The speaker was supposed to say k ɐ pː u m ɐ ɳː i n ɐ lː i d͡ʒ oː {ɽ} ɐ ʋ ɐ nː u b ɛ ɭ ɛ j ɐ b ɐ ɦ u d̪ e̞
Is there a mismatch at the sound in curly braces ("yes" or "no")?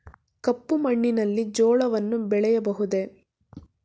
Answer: yes